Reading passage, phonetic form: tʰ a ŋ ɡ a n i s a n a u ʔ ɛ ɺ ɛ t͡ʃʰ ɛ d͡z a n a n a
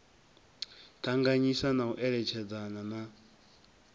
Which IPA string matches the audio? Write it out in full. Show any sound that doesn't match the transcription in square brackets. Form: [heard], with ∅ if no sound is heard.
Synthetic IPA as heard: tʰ a ŋ ɡ a [ɲ] i s a n a u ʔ ɛ ɺ ɛ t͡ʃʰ ɛ d͡z a n a n a